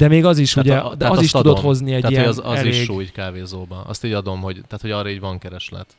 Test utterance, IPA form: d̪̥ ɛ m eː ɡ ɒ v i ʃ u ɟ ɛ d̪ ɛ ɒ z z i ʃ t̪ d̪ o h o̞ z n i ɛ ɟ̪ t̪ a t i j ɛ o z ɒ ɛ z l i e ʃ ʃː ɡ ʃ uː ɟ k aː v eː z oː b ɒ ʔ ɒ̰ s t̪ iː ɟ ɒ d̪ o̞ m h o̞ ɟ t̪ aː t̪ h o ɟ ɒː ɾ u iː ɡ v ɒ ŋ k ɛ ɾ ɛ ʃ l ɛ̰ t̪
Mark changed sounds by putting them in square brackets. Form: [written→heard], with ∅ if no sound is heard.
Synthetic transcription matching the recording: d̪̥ ɛ m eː ɡ ɒ [v→z] i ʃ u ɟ ɛ d̪ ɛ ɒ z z i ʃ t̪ d̪ o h o̞ z n i ɛ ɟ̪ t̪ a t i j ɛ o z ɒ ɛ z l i e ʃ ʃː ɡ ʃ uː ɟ k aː v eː z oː b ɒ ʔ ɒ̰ s t̪ iː ɟ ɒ d̪ o̞ m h o̞ ɟ t̪ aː t̪ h o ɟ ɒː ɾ [u→ɒ] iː [ɡ→ɟ] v ɒ ŋ k ɛ ɾ ɛ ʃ l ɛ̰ t̪